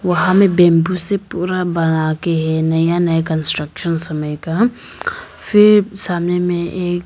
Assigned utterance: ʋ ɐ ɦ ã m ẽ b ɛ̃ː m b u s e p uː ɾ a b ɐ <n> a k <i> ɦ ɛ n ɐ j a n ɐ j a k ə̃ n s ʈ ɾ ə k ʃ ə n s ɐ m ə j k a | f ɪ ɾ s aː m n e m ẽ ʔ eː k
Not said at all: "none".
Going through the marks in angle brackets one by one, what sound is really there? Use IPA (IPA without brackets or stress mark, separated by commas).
n, e